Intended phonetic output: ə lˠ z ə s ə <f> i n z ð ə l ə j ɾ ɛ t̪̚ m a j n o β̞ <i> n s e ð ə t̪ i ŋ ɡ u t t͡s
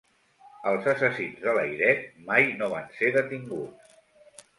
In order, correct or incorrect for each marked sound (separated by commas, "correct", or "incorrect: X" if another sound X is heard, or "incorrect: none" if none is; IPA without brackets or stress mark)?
incorrect: s, incorrect: a